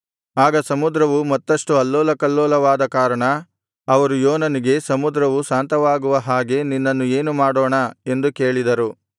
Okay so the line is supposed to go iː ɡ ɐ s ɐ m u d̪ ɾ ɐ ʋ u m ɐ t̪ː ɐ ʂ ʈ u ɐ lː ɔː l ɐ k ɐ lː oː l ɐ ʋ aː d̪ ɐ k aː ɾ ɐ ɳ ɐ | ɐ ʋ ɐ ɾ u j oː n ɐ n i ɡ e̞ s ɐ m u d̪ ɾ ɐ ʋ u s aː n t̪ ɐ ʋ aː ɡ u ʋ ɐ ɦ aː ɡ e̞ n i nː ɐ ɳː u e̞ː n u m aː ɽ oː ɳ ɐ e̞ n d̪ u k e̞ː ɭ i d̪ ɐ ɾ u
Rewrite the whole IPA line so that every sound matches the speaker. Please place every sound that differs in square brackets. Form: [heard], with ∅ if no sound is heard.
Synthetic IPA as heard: [aː] ɡ ɐ s ɐ m u d̪ ɾ ɐ ʋ u m ɐ t̪ː ɐ ʂ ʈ u ɐ lː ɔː l ɐ k ɐ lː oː l ɐ ʋ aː d̪ ɐ k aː ɾ ɐ ɳ ɐ | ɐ ʋ ɐ ɾ u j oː n ɐ n i ɡ e̞ s ɐ m u d̪ ɾ ɐ ʋ u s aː n t̪ ɐ ʋ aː ɡ u ʋ ɐ ɦ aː ɡ e̞ n i nː ɐ [nː] u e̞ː n u m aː ɽ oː ɳ ɐ e̞ n d̪ u k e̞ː ɭ i d̪ ɐ ɾ u